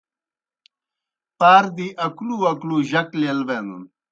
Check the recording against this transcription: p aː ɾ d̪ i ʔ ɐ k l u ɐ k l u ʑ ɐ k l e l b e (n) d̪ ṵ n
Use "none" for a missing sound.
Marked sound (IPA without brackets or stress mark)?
n